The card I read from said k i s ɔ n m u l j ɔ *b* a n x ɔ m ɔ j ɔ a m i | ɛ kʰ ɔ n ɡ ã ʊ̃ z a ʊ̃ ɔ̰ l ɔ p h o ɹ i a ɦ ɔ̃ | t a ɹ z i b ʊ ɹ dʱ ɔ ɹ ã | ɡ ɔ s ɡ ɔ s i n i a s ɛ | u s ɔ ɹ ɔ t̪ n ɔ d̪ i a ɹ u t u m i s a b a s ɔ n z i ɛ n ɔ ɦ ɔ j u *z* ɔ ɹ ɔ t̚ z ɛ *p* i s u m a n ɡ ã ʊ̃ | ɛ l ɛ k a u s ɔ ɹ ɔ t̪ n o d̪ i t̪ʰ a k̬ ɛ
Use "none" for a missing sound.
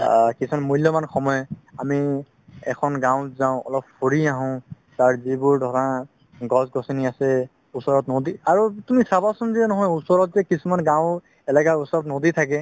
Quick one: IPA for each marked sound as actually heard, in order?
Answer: m, s, k

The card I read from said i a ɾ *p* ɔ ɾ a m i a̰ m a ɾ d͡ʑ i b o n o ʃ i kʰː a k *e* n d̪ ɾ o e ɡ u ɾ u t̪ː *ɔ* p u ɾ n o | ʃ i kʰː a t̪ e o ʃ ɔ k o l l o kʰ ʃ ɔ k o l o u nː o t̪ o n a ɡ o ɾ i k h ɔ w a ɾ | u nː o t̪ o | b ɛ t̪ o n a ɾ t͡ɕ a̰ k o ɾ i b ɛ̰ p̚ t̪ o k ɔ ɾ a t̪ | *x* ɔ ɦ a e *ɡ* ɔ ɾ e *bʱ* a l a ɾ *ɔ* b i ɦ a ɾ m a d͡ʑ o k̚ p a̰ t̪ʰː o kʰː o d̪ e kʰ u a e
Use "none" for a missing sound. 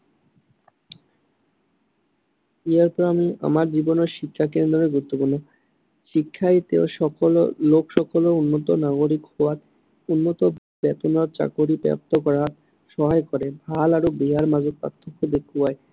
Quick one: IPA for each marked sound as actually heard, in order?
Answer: p, e, o, ʃ, k, bʱ, o

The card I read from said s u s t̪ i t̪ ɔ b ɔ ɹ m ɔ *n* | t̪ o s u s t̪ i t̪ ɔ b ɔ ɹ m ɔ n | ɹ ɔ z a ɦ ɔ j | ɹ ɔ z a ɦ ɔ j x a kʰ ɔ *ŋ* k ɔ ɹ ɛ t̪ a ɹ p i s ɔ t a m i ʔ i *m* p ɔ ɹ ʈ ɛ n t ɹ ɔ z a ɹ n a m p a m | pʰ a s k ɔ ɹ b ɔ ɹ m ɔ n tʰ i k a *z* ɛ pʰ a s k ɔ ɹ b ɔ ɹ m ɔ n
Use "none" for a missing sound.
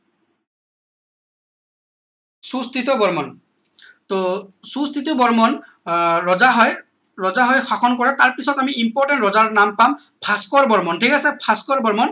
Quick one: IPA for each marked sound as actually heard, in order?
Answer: n, n, m, s

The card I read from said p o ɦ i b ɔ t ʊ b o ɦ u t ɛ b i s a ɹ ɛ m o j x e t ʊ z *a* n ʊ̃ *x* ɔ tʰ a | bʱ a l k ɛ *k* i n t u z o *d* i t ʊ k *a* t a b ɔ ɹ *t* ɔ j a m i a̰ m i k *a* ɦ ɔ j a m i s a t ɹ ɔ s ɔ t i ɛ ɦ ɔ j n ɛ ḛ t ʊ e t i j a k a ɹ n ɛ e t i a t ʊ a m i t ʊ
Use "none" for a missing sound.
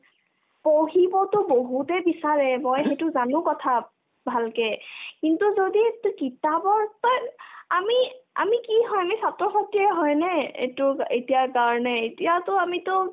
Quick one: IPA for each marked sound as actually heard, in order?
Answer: a, k, k, d, i, t, i

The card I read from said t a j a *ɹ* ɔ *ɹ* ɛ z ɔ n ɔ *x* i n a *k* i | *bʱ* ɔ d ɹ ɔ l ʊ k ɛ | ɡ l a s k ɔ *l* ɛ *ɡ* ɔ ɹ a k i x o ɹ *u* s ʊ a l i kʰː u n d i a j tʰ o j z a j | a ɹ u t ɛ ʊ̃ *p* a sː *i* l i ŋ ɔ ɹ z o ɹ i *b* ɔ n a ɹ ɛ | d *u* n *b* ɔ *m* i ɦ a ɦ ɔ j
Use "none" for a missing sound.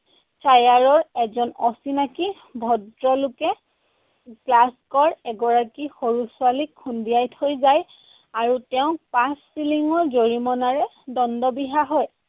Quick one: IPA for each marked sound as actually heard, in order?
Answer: ɹ, ɹ, s, k, bʱ, ɹ, ɡ, u, p, i, m, ɔ, d, b

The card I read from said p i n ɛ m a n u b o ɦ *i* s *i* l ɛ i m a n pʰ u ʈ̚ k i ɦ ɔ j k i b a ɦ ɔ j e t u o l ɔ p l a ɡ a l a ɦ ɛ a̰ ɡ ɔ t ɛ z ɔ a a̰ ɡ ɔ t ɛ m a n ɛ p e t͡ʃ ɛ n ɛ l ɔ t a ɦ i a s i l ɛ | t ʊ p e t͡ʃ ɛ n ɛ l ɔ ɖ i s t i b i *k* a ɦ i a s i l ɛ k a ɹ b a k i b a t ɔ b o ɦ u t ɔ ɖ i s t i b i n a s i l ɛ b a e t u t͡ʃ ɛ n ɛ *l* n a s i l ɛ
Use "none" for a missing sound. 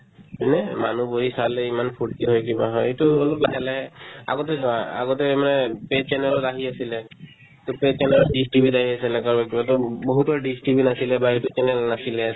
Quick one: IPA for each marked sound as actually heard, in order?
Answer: i, a, t, l

